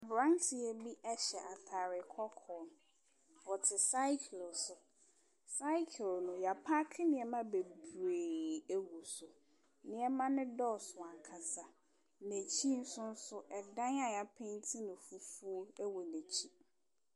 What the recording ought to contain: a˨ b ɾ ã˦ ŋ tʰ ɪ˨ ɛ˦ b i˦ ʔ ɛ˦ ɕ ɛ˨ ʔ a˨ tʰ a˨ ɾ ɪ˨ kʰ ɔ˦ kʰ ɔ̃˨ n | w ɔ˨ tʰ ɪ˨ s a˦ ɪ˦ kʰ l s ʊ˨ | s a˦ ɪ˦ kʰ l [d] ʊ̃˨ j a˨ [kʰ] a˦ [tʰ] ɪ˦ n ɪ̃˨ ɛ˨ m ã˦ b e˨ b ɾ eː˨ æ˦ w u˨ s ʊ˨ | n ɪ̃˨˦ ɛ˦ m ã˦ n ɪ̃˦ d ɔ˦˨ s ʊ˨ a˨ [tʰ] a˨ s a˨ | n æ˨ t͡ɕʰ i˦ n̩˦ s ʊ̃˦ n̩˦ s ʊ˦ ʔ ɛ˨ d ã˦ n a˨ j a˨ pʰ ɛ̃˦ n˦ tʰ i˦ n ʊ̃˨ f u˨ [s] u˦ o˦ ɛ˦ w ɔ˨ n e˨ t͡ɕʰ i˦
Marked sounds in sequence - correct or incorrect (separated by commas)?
incorrect, incorrect, incorrect, incorrect, incorrect